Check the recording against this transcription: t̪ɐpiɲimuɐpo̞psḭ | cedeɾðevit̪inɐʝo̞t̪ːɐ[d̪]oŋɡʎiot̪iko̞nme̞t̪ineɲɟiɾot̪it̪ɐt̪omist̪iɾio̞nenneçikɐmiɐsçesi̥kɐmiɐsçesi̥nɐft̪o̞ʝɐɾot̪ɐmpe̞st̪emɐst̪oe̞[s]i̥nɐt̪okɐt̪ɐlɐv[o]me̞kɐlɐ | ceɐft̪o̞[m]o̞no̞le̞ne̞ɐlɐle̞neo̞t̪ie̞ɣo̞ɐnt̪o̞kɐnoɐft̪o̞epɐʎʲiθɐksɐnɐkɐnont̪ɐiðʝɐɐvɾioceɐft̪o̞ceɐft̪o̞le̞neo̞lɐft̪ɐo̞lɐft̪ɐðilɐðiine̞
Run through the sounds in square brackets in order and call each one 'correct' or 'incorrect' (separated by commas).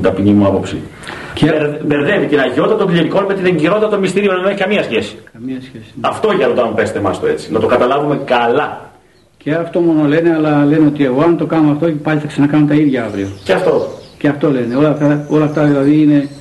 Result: incorrect, incorrect, incorrect, correct